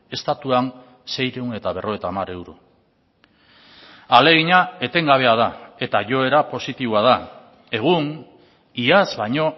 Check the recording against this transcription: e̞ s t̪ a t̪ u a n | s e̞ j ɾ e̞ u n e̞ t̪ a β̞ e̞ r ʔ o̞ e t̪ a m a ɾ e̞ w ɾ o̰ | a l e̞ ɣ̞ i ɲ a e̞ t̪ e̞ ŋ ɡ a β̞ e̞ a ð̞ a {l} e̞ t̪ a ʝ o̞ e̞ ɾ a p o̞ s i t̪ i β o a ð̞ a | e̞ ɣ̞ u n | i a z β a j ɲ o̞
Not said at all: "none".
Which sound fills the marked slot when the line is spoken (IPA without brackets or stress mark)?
none